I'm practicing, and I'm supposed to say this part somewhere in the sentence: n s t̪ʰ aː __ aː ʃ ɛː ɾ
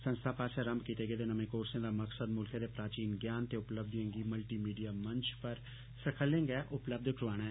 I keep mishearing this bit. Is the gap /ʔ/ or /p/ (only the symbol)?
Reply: p